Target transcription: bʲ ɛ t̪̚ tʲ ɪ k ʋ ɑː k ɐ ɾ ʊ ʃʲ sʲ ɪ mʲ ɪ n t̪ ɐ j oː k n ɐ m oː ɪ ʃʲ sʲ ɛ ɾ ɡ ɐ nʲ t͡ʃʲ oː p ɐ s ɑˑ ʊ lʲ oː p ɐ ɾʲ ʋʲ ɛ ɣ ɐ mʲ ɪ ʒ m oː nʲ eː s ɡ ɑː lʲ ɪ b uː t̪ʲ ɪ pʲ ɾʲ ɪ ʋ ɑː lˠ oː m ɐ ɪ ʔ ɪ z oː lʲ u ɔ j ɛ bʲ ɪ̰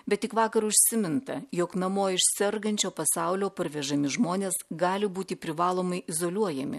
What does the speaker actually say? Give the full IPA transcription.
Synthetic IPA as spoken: bʲ ɛ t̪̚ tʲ ɪ k ʋ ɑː k ɐ ɾ ʊ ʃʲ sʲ ɪ mʲ ɪ n t̪ ɐ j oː k n ɐ m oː ɪ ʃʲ sʲ ɛ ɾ ɡ ɐ nʲ t͡ʃʲ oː p ɐ s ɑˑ ʊ lʲ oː p ɐ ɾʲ ʋʲ ɛ ʒ ɐ mʲ ɪ ʒ m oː nʲ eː s ɡ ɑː lʲ ɪ b uː t̪ʲ ɪ pʲ ɾʲ ɪ ʋ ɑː lˠ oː m ɐ ɪ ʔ ɪ z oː lʲ u ɔ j ɛ mʲ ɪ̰